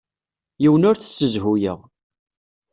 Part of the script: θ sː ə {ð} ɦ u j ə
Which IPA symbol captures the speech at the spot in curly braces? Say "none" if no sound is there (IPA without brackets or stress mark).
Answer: z